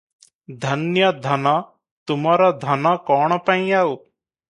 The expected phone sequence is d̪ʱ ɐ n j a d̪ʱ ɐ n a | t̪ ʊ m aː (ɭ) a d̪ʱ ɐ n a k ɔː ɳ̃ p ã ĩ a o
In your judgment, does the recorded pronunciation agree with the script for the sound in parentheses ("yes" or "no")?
no